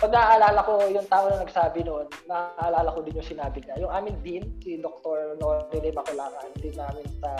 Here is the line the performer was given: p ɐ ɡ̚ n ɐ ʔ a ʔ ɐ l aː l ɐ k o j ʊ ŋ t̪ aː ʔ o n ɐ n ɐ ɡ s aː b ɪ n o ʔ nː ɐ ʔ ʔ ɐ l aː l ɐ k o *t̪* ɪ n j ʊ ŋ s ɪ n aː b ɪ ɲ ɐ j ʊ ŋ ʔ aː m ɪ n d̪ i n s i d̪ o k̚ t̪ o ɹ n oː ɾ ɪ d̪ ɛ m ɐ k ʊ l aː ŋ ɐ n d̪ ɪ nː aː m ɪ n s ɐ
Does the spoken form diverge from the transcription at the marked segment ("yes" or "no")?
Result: yes